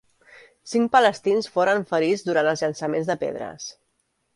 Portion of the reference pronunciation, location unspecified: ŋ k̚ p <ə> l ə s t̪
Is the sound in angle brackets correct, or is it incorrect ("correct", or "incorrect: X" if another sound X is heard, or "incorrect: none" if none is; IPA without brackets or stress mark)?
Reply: correct